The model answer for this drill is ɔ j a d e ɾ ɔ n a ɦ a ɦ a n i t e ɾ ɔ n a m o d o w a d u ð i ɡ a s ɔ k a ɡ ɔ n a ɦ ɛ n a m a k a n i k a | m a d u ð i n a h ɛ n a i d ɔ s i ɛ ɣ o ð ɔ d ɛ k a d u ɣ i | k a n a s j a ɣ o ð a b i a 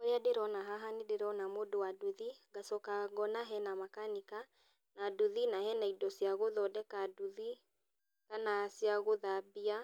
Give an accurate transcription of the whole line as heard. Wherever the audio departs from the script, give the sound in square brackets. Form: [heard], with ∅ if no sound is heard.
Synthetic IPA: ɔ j a d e ɾ ɔ n a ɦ a ɦ a n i [d] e ɾ ɔ n a m o d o w a d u ð i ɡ a s ɔ k a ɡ ɔ n a ɦ ɛ n a m a k a n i k a | [n] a d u ð i n a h ɛ n a i d ɔ s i [a] ɣ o ð ɔ d ɛ k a d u [ð] i | k a n a s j a ɣ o ð a b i a